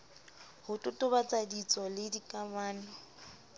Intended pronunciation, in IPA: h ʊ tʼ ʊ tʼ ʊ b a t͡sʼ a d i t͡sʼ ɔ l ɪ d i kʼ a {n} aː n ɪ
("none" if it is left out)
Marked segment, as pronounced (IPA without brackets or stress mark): m